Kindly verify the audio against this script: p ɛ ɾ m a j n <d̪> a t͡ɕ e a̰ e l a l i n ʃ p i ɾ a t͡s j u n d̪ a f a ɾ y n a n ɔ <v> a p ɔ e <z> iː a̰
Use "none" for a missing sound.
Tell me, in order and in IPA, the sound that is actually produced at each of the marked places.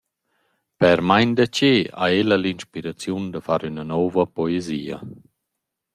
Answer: d̪, v, z

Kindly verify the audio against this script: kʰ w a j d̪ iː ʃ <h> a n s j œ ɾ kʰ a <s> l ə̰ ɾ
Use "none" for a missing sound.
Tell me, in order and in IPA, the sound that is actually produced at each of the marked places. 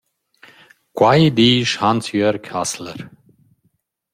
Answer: h, s

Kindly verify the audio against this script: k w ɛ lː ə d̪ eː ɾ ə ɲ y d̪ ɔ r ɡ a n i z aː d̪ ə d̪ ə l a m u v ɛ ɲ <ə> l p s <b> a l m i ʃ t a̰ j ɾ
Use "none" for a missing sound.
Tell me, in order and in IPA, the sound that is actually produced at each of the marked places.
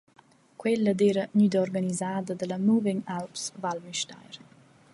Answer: a, v

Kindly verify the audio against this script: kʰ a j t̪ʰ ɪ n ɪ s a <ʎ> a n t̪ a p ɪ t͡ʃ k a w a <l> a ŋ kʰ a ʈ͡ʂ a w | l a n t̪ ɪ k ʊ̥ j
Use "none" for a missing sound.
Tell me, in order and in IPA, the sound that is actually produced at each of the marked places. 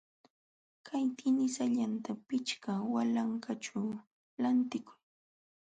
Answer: ʎ, l

